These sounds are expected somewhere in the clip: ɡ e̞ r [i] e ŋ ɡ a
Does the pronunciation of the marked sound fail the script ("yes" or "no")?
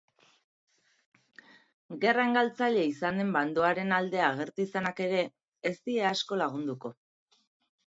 yes